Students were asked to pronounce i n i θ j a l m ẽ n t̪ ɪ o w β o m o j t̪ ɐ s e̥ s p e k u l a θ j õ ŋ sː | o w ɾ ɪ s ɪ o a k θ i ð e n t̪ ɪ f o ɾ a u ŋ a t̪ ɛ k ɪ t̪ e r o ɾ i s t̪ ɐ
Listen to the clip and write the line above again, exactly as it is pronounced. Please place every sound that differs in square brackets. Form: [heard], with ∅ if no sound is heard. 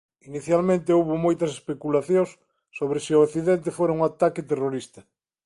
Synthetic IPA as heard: i n i θ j a l m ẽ n t̪ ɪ o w β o m o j t̪ ɐ s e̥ s p e k u l a θ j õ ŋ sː | o [β] ɾ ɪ s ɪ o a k θ i ð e n t̪ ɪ f o ɾ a u ŋ a t̪ [a] k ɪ t̪ e r o ɾ i s t̪ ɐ

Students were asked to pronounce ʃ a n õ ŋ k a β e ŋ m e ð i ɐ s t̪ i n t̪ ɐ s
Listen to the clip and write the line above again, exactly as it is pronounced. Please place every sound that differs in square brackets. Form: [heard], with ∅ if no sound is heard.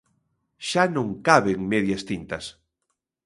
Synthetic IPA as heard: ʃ a n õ ŋ k a β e ŋ m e ð [j] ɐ s t̪ i n t̪ ɐ s

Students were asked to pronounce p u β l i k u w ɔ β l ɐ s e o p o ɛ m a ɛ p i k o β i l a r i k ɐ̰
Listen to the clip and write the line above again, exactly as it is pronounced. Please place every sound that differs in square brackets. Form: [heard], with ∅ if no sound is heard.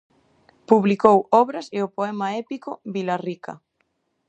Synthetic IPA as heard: p u β l i k [o] w ɔ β [ɾ] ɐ s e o p o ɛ m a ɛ p i k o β i l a r i k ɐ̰

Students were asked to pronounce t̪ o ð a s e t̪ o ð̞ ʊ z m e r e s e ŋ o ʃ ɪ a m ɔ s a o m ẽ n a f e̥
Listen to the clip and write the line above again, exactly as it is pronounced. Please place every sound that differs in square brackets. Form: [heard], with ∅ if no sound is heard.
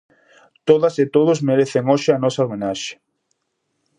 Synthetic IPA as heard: t̪ o ð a s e t̪ o ð̞ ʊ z m e [ɾ] e [θ] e ŋ o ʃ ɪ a [n] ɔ s a o m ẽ n a [ʃ] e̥

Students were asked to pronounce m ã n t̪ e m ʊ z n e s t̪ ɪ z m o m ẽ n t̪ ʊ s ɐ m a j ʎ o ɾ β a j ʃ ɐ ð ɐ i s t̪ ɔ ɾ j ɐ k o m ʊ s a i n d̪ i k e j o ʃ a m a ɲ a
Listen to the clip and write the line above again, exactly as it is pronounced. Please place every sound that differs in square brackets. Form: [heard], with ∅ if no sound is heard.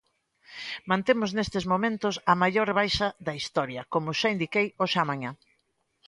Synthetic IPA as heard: m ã n t̪ e m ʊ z n e s t̪ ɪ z m o m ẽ n t̪ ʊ s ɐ m a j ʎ o ɾ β a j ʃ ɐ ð ɐ i s t̪ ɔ ɾ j ɐ k o m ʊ [ʃ] a i n d̪ i k e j o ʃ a m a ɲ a

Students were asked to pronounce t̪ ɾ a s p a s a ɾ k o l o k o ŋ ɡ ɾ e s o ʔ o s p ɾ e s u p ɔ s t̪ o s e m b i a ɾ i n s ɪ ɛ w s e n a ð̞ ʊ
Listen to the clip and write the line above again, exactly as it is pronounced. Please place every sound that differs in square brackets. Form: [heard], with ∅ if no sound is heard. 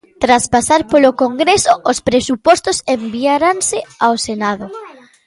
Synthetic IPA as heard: t̪ ɾ a s p a s a ɾ [p] o l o k o ŋ ɡ ɾ e s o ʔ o s p ɾ e s u p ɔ s t̪ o s e m b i a ɾ [a] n s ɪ [a] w s e n a ð̞ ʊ

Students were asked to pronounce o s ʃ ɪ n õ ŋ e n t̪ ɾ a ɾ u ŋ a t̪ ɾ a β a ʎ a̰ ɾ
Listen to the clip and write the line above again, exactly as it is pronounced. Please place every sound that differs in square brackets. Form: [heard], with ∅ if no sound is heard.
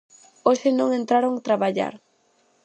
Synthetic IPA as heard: o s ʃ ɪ n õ ŋ e n t̪ ɾ a ɾ [o] ŋ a t̪ ɾ a β a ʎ a̰ ɾ

